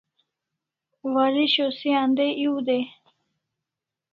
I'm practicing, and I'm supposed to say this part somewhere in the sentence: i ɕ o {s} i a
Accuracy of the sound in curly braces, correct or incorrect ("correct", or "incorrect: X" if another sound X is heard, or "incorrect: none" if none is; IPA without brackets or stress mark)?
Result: correct